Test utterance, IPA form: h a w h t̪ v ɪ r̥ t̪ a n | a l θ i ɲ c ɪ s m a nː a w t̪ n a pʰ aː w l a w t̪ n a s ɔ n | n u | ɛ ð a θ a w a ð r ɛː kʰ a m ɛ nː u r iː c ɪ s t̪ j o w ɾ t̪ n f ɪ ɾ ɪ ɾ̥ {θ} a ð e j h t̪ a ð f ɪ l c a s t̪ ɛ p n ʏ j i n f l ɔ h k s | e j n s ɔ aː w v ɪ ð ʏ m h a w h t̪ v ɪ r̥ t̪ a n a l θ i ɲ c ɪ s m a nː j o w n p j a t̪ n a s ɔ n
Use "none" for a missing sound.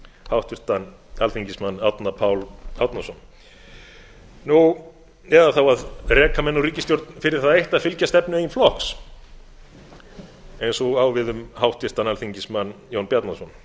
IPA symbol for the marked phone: θ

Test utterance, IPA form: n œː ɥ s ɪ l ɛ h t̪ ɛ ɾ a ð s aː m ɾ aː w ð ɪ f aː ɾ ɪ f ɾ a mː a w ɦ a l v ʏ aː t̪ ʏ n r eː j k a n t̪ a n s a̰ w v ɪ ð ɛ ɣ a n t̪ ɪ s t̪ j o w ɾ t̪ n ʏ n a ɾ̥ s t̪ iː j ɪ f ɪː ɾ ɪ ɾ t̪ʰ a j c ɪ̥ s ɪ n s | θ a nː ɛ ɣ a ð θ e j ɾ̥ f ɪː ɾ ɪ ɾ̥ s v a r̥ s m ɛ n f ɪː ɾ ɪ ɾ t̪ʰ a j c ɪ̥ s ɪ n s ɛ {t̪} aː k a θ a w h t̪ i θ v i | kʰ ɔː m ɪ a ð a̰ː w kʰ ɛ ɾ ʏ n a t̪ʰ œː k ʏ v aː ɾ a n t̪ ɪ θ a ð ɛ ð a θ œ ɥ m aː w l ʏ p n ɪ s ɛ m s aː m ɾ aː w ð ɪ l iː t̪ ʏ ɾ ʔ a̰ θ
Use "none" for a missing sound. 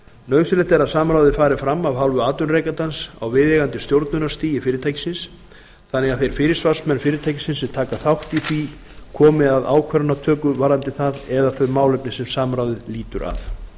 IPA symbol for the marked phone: t̪ʰ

